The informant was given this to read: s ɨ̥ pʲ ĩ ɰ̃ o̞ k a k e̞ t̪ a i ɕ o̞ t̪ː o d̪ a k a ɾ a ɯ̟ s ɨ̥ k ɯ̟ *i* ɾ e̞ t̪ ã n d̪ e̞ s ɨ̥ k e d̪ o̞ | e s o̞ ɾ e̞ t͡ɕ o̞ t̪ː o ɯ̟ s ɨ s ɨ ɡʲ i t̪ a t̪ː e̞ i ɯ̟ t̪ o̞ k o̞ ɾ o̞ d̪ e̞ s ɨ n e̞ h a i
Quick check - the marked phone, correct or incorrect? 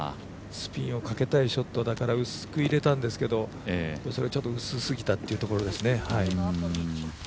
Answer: correct